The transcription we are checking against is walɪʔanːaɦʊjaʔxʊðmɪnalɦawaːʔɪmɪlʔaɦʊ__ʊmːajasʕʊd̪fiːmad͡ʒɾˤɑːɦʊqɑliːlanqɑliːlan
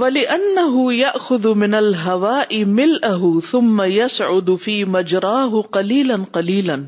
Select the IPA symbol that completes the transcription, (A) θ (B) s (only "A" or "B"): A